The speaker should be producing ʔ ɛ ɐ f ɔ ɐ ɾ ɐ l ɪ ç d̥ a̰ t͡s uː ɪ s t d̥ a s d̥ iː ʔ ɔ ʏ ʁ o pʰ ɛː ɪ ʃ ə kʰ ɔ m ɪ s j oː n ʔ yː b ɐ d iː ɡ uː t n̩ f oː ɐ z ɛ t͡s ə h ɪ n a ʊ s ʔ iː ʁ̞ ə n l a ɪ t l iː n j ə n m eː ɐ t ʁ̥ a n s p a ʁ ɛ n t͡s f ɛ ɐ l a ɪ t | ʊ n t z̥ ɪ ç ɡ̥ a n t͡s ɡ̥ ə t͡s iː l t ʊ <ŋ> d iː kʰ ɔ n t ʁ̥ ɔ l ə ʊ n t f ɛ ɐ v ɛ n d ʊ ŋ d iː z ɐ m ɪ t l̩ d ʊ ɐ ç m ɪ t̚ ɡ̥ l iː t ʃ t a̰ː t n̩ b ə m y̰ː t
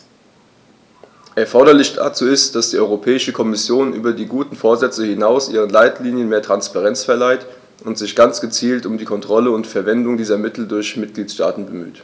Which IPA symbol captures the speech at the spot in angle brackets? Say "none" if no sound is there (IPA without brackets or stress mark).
m